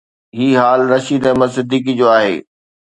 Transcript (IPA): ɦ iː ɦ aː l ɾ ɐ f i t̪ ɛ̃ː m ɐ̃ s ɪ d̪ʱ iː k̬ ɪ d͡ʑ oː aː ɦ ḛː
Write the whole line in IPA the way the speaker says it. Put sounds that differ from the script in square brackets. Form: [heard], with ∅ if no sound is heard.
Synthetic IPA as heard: ɦ iː ɦ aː l ɾ ɐ [ʃ] i [d̪] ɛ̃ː m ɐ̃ s ɪ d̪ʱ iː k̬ [i] d͡ʑ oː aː ɦ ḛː